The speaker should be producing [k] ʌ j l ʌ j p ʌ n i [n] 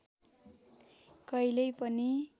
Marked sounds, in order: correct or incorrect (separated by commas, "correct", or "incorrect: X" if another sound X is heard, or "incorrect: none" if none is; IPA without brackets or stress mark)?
correct, incorrect: none